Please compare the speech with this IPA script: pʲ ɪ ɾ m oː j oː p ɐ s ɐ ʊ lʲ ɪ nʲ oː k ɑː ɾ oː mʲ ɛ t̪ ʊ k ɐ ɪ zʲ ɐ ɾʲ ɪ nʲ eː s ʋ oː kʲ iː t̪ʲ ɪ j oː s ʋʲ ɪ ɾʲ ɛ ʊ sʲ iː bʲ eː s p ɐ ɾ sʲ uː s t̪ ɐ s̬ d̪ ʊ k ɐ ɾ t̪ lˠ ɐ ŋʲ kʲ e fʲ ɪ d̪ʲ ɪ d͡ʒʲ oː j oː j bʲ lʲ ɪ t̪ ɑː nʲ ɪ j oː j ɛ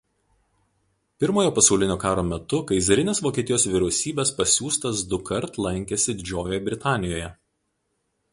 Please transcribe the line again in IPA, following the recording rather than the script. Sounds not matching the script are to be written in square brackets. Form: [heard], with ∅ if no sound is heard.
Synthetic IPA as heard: pʲ ɪ ɾ m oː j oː p ɐ s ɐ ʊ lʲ ɪ nʲ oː k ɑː ɾ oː mʲ ɛ t̪ ʊ k ɐ ɪ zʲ ɐ ɾʲ ɪ nʲ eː s ʋ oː kʲ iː t̪ʲ ɪ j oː s ʋʲ ɪ ɾʲ ɛ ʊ sʲ iː bʲ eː s p ɐ [∅] sʲ uː s t̪ ɐ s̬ d̪ ʊ k ɐ ɾ t̪ lˠ ɐ ŋʲ kʲ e [sʲ] ɪ d̪ʲ ɪ d͡ʒʲ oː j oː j bʲ [ɾʲ] ɪ t̪ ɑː nʲ ɪ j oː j ɛ